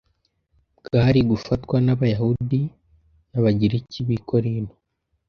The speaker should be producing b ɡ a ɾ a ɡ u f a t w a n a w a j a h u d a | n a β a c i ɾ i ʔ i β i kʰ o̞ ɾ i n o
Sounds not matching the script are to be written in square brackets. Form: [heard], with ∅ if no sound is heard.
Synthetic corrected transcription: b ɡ a ɾ [i] ɡ u f a t w a n a [β] a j a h u d [i] | n a β a [ɟ] i ɾ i [c] i β i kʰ o̞ ɾ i n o